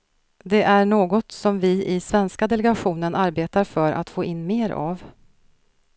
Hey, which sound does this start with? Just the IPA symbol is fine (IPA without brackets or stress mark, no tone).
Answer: d̪